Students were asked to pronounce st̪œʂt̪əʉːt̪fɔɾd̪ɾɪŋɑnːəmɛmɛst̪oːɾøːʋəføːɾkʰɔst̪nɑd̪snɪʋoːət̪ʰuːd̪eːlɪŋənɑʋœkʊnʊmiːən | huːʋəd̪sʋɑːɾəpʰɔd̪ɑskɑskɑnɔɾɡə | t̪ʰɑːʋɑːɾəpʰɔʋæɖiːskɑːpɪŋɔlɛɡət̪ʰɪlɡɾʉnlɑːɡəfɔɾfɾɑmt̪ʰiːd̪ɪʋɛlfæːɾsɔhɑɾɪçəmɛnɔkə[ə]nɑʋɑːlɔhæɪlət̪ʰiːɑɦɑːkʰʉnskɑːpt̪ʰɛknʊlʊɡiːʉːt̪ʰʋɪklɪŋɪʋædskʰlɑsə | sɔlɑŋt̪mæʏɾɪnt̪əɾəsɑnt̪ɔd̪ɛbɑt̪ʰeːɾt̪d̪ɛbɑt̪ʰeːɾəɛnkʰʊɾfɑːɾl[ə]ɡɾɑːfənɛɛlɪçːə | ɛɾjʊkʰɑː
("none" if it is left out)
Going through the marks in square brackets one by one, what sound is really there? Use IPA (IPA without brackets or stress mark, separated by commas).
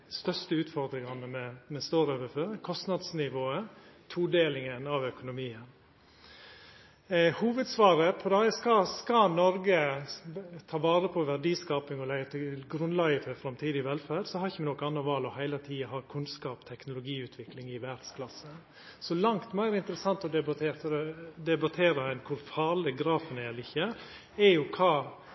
ɑ, ə